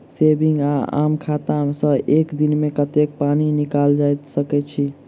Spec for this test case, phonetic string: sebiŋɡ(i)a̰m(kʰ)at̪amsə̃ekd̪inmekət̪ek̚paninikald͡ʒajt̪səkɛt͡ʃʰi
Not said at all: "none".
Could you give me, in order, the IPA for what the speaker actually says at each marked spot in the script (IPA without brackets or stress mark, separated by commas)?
a, kʰ